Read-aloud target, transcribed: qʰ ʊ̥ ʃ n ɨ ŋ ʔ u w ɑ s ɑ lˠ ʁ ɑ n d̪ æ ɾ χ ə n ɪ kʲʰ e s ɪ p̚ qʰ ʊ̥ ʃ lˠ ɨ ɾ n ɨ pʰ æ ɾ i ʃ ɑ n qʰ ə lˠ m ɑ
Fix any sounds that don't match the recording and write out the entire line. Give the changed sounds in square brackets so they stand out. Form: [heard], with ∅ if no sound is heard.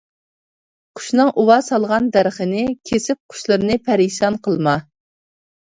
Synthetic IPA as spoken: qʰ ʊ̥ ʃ n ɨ ŋ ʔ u w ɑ s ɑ lˠ ʁ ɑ n d̪ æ ɾ χ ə n ɪ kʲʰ e s ɪ p̚ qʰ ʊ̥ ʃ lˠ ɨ ɾ n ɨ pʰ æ ɾ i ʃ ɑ n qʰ ə lˠ m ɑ